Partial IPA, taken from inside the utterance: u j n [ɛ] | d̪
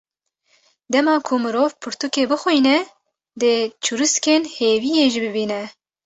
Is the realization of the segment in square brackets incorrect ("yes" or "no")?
no